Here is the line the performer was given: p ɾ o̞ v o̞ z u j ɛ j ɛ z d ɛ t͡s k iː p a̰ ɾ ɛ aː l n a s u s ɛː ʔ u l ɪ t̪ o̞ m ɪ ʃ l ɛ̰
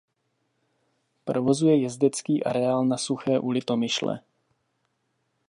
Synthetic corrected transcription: p ɾ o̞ v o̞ z u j ɛ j ɛ z d ɛ t͡s k iː ʔ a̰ ɾ ɛ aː l n a s u x ɛː ʔ u l ɪ t̪ o̞ m ɪ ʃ l ɛ̰

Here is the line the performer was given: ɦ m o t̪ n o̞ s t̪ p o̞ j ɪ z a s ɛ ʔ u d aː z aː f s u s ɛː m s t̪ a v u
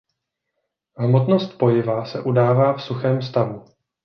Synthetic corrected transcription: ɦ m o t̪ n o̞ s t̪ p o̞ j ɪ v a s ɛ ʔ u d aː v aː f s u x ɛː m s t̪ a v u

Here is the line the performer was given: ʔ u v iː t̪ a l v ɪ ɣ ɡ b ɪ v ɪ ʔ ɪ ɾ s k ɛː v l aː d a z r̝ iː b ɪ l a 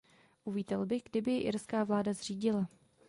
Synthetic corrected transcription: ʔ u v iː t̪ ɛ l b ɪ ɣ ɡ d ɪ b ɪ ʔ ɪ ɾ s k aː v l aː d a z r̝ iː ɟ ɪ l a

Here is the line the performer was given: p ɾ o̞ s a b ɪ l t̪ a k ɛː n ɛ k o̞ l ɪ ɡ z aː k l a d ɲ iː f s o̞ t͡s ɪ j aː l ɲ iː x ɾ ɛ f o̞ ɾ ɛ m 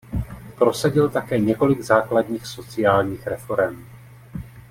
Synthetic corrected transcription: p ɾ o̞ s a ɟ ɪ l t̪ a k ɛː ɲ ɛ k o̞ l ɪ ɡ z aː k l a d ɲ iː x s o̞ t͡s ɪ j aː l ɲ iː x ɾ ɛ f o̞ ɾ ɛ m

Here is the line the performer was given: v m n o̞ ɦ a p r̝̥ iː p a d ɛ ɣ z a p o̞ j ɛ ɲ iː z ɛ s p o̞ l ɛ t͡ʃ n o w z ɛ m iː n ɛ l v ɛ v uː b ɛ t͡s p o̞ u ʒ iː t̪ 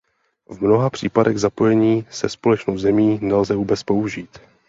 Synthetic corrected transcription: v m n o̞ ɦ a p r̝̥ iː p a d ɛ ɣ z a p o̞ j ɛ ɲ iː s ɛ s p o̞ l ɛ t͡ʃ n o w z ɛ m iː n ɛ l z ɛ v uː b ɛ t͡s p o̞ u ʒ iː t̪

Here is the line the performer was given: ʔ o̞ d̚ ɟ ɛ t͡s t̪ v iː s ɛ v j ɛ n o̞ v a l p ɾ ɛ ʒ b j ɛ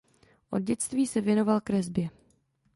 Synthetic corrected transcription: ʔ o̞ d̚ ɟ ɛ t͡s t̪ v iː s ɛ v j ɛ n o̞ v a l k ɾ ɛ z b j ɛ

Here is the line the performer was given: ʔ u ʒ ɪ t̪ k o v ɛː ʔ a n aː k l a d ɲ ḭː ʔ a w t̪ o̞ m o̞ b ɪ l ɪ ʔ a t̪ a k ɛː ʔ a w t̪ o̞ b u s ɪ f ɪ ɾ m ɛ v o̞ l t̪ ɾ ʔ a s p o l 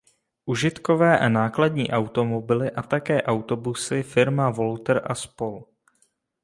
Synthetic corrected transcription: ʔ u ʒ ɪ t̪ k o v ɛː ʔ a n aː k l a d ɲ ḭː ʔ a w t̪ o̞ m o̞ b ɪ l ɪ ʔ a t̪ a k ɛː ʔ a w t̪ o̞ b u s ɪ f ɪ ɾ m a v o̞ l t̪ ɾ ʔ a s p o l

